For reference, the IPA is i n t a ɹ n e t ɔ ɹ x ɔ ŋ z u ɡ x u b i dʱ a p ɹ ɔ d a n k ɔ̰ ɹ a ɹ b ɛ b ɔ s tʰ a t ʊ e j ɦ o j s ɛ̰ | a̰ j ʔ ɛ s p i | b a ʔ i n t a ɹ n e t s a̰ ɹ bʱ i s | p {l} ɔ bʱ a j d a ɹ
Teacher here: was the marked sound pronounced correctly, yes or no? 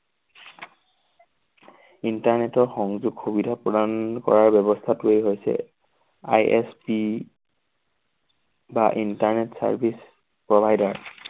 no